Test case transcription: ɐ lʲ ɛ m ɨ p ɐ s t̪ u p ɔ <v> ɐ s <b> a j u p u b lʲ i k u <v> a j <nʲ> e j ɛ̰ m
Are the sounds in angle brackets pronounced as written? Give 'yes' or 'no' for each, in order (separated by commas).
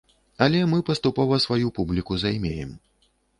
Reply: yes, no, no, no